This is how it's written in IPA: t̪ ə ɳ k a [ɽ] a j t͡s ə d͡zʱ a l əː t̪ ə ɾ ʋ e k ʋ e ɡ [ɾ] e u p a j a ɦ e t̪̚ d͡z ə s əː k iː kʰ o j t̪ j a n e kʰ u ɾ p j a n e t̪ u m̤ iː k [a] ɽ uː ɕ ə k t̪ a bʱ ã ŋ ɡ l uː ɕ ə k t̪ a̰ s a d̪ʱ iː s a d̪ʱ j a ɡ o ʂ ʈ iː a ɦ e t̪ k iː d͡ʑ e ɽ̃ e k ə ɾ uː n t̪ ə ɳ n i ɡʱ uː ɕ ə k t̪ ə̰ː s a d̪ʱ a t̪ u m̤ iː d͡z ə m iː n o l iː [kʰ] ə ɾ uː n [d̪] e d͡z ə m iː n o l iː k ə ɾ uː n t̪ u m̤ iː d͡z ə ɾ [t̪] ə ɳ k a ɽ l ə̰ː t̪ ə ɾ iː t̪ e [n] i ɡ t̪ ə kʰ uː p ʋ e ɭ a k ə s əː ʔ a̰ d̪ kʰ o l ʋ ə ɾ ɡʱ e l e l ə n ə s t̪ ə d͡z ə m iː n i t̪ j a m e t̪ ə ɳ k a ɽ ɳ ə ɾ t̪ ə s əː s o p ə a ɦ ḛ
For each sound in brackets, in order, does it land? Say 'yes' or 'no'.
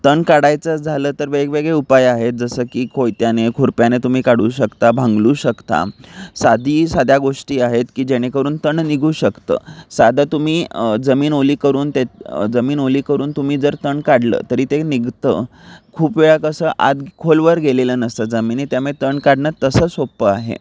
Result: yes, no, yes, no, no, yes, yes

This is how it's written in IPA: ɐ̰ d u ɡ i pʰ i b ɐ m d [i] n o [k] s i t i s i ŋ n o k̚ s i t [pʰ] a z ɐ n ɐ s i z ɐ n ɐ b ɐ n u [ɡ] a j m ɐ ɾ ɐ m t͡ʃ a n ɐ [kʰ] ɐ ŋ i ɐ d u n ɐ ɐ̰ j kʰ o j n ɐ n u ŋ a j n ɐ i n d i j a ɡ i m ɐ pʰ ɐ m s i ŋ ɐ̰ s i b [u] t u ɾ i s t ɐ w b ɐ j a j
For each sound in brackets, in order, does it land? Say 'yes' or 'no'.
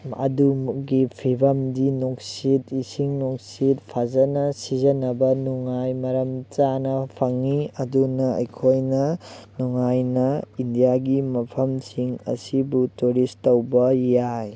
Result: yes, yes, yes, no, no, yes

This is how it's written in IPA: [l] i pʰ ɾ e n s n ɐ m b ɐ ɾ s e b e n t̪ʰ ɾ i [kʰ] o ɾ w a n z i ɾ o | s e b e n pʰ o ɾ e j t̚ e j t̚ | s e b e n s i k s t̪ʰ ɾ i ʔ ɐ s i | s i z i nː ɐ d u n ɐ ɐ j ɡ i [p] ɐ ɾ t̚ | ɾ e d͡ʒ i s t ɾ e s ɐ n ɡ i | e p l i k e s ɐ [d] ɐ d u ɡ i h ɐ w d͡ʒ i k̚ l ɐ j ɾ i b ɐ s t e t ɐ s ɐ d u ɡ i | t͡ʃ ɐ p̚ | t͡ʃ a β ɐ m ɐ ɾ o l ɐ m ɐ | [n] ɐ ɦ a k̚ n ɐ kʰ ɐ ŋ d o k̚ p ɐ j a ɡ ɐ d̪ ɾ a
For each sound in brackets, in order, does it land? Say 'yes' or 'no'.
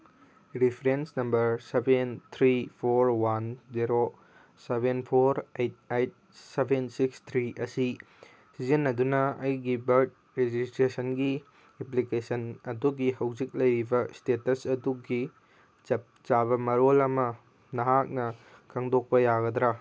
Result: no, no, no, no, yes

